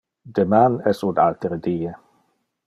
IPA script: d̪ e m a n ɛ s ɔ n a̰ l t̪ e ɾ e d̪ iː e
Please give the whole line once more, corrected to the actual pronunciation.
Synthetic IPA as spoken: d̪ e m a n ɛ s u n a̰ l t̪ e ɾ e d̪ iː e